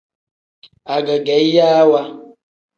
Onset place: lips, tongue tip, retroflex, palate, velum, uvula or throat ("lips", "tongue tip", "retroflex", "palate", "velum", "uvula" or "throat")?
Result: velum